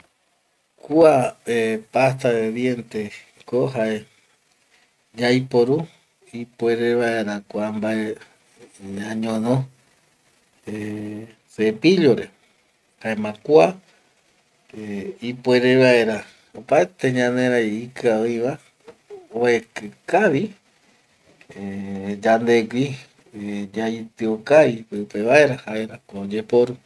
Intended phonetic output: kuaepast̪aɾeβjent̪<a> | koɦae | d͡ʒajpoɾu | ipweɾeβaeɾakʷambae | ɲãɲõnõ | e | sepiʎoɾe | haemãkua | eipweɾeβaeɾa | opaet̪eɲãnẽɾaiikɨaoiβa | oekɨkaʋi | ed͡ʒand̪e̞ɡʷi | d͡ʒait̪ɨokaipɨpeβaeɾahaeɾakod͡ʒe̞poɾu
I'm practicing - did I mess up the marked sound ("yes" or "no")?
yes